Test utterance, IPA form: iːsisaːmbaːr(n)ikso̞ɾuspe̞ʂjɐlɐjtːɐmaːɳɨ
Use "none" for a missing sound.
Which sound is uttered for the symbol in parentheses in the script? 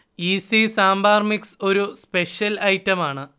m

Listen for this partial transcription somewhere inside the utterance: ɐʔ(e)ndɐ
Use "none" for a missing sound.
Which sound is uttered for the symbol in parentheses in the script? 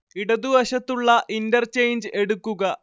i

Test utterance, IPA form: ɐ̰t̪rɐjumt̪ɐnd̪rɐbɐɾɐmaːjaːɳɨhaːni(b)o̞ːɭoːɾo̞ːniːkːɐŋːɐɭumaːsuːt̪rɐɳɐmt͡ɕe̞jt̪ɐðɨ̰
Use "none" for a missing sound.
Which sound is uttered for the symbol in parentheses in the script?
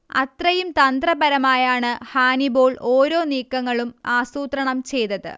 b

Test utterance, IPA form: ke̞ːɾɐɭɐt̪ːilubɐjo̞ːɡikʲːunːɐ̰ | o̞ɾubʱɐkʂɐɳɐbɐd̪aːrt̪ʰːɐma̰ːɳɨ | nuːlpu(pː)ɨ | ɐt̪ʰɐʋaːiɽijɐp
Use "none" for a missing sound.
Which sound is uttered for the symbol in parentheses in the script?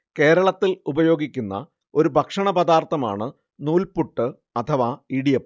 ʈː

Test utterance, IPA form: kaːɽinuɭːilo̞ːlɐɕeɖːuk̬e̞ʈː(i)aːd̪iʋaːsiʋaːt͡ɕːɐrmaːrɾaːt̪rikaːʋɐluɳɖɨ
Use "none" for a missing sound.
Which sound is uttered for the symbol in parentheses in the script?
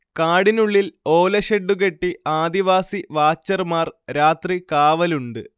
i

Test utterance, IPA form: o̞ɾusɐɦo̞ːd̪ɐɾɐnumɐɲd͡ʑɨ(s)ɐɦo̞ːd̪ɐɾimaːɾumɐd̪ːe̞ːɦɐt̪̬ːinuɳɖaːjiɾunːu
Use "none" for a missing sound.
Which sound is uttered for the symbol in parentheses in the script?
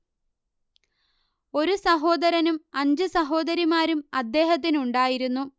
s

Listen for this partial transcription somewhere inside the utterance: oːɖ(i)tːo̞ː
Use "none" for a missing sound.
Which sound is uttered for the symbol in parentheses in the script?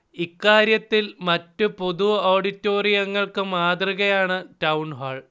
i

